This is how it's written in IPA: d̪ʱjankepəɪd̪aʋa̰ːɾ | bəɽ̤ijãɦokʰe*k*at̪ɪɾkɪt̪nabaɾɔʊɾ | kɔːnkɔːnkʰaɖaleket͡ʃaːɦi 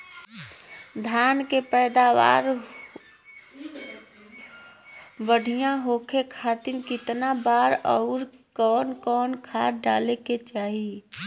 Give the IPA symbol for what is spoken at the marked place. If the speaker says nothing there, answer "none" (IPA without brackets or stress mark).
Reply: kʰ